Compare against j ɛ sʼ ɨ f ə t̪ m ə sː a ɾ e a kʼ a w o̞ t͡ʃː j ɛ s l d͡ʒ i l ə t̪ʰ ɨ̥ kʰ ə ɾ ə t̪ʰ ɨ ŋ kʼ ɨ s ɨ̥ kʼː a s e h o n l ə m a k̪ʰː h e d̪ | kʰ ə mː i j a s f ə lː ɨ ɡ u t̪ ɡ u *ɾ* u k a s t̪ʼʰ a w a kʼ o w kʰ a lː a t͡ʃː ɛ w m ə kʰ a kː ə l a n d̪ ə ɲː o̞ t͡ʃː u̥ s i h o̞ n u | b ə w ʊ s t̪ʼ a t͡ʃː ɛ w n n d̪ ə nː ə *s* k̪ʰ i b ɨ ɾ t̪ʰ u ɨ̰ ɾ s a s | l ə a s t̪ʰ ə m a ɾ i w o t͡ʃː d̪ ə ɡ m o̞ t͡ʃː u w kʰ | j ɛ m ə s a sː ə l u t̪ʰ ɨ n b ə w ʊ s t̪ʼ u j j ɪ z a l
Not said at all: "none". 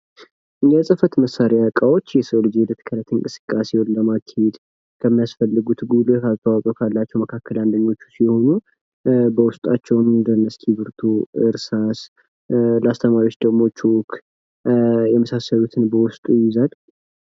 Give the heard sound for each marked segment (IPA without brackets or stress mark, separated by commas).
l, s